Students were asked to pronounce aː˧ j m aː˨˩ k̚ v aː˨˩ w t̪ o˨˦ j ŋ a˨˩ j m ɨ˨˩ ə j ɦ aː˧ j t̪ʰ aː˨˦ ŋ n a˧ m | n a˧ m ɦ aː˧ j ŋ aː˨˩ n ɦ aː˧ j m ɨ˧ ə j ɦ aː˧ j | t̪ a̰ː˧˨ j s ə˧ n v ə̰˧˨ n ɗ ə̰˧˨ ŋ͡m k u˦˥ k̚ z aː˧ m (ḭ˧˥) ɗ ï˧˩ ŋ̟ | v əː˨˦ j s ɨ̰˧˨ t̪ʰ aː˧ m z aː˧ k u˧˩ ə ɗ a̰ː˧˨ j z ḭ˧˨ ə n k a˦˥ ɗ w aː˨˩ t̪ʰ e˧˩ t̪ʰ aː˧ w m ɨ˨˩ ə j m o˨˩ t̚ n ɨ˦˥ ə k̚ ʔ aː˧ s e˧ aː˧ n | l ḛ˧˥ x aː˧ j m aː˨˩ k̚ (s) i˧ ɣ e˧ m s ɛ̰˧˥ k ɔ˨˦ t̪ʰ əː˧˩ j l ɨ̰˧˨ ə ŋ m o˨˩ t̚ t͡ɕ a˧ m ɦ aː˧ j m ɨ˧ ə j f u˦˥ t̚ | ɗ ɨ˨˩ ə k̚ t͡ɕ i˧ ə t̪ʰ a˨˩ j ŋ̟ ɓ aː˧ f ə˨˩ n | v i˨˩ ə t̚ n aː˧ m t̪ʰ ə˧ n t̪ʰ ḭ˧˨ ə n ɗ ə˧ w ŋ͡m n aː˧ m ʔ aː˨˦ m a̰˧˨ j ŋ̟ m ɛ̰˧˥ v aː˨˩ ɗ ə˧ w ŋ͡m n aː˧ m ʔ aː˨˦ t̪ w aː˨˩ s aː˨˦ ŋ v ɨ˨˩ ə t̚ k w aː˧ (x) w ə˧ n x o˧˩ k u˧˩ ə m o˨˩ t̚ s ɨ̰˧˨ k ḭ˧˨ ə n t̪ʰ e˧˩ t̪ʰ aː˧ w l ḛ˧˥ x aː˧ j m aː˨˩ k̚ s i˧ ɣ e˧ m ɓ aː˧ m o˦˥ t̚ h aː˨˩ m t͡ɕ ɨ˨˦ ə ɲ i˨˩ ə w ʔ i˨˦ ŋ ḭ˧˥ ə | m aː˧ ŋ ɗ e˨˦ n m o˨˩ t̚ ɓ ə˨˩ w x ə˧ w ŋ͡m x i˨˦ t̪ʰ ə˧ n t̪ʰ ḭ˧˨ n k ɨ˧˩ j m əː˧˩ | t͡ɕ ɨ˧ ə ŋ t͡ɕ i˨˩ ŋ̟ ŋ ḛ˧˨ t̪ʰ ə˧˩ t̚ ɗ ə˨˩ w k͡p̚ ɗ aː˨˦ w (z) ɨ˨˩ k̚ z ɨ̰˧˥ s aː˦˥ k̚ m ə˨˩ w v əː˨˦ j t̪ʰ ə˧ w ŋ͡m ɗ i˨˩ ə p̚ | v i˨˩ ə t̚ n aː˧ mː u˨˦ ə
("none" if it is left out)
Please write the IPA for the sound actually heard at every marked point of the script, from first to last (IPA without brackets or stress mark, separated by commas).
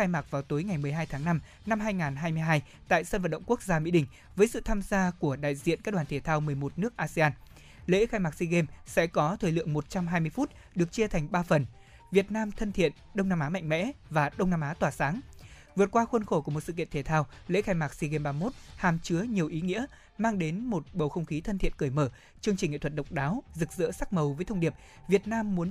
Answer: ḭ˧˥, s, x, z